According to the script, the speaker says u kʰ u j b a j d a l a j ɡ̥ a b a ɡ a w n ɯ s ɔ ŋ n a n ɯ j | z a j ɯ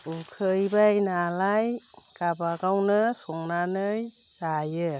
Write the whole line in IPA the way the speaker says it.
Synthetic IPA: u kʰ ɯ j b a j n a l a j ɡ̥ a b a ɡ a w n ɯ s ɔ ŋ n a n ɯ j | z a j ɯ